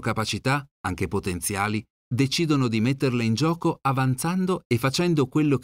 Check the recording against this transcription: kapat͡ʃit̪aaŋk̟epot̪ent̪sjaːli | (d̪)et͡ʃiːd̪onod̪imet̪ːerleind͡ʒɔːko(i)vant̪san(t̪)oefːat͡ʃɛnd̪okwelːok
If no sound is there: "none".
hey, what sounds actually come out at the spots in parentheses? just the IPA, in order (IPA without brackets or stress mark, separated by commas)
d̪, a, d̪